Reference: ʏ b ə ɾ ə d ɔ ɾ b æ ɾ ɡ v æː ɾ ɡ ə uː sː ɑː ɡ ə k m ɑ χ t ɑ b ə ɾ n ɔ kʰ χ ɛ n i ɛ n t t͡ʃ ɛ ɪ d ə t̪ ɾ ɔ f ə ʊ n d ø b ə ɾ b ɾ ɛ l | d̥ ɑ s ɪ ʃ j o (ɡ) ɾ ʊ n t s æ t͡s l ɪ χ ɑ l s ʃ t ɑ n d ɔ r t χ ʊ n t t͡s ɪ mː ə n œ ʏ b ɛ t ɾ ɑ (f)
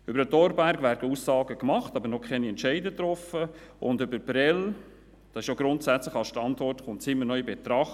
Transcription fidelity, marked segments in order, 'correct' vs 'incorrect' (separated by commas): correct, incorrect